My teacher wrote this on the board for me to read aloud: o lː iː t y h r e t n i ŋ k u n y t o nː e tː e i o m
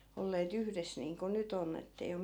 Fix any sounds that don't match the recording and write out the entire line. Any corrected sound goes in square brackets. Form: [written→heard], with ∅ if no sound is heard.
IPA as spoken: o lː [iː→eː] t y h r e [t→s] n [i→iː] ŋ k [u→o] n y t o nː e tː e i o m